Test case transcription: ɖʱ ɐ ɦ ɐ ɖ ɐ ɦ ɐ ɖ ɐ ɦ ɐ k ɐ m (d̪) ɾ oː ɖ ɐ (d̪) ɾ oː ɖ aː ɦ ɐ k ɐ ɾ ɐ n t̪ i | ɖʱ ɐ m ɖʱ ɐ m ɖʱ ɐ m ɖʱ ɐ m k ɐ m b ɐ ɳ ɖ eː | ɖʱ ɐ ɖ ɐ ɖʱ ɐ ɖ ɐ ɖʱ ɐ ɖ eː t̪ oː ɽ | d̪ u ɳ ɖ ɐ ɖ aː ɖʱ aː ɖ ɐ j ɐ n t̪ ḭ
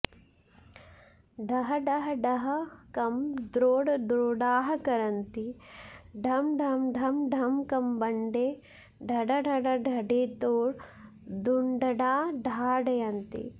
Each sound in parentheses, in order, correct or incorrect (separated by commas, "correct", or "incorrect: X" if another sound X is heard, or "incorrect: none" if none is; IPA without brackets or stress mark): correct, correct